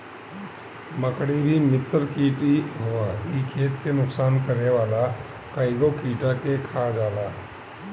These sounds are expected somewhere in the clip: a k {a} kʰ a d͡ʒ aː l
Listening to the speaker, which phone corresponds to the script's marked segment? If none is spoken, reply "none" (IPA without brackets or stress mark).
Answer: e